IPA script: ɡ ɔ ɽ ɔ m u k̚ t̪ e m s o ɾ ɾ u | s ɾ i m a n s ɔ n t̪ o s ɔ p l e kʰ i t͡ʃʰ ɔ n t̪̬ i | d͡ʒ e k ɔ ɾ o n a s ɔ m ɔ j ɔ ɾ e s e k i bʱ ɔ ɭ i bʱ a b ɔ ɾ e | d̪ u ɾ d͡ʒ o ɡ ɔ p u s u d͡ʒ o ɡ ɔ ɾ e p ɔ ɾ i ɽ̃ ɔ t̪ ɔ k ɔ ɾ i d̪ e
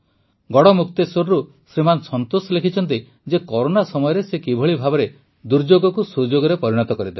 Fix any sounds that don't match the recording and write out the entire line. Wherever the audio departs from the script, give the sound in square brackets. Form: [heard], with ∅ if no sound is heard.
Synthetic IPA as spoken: ɡ ɔ ɽ ɔ m u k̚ t̪ e [∅] s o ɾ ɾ u | s ɾ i m a n s ɔ n t̪ o s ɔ [∅] l e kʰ i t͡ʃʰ ɔ n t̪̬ i | d͡ʒ e k ɔ ɾ o n a s ɔ m ɔ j ɔ ɾ e s e k i bʱ ɔ ɭ i bʱ a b ɔ ɾ e | d̪ u ɾ d͡ʒ o ɡ ɔ [k] u s u d͡ʒ o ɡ ɔ ɾ e p ɔ ɾ i ɽ̃ ɔ t̪ ɔ k ɔ ɾ i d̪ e